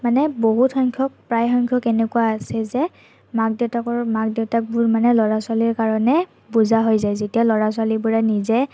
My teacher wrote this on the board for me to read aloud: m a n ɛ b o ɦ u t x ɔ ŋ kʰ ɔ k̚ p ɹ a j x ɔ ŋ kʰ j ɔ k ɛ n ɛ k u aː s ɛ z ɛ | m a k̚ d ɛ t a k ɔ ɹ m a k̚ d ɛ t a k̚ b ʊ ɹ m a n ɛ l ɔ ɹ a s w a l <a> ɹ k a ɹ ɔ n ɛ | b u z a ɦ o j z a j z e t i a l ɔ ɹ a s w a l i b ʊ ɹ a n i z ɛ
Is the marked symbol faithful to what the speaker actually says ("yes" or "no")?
no